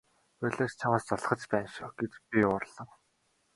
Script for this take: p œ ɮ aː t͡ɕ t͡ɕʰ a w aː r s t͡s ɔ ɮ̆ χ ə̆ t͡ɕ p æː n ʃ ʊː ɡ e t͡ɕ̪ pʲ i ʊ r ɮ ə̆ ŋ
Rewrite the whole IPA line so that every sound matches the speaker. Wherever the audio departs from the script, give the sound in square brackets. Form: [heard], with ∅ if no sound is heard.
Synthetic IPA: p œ ɮ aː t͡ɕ t͡ɕʰ a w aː [∅] s t͡s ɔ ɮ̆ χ ə̆ t͡ɕ p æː n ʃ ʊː ɡ e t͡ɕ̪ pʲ i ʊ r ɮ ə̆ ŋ